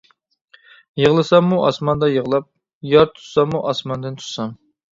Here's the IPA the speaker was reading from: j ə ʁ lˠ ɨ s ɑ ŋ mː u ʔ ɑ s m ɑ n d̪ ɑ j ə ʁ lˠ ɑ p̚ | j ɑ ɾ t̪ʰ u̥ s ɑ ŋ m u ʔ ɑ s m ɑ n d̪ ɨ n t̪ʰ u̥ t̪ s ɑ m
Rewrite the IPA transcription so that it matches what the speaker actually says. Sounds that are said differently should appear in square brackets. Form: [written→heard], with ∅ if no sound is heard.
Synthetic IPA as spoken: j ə ʁ lˠ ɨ s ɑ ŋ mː u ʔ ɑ s m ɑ n d̪ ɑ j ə ʁ lˠ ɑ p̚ | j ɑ ɾ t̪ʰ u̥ s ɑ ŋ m u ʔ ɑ s m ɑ n d̪ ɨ n t̪ʰ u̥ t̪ s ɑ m